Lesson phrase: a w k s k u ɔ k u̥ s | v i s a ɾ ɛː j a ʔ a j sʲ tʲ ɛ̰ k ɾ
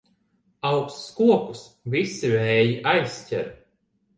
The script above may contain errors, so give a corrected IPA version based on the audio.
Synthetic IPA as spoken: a w k s k u ɔ k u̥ s | v i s i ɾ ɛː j i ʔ a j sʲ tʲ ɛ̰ ɾ